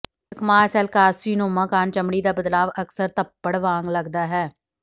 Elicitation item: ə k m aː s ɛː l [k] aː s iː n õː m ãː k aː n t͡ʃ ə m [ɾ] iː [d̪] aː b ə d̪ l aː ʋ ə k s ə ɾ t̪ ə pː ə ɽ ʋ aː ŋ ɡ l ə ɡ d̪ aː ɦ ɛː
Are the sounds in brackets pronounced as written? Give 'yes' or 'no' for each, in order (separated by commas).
yes, no, yes